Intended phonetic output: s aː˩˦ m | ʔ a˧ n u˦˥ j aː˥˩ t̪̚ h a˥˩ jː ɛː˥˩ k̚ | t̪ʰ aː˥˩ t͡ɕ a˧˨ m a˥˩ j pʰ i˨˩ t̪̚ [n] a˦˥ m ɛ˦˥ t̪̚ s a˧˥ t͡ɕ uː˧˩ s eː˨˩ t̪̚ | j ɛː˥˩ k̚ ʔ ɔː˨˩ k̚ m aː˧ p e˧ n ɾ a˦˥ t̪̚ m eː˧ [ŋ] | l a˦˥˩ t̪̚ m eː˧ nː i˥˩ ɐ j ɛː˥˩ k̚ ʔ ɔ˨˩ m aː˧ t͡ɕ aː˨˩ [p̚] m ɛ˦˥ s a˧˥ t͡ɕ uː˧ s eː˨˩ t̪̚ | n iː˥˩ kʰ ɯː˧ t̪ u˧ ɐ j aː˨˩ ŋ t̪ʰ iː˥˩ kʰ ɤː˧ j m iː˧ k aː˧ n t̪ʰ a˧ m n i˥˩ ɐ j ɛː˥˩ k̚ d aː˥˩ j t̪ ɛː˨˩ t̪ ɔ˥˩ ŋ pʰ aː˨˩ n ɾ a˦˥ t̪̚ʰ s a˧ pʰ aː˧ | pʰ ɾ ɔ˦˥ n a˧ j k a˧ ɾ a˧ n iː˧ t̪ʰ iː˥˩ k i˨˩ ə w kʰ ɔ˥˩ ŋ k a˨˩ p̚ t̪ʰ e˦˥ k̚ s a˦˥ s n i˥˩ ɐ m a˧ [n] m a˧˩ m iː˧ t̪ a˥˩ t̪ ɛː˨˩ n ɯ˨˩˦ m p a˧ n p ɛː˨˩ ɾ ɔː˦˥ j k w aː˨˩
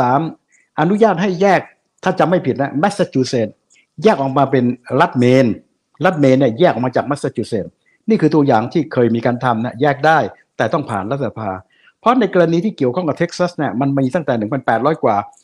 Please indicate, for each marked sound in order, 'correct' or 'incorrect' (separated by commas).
correct, incorrect, incorrect, correct